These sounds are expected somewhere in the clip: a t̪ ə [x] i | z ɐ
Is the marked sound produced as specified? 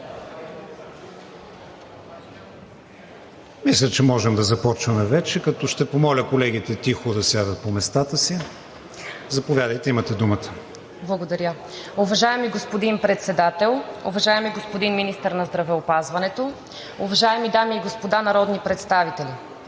no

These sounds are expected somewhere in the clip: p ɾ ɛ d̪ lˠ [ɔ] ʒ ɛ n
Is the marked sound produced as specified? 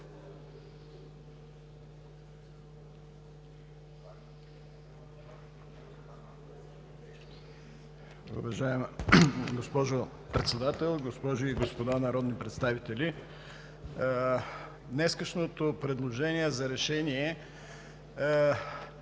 no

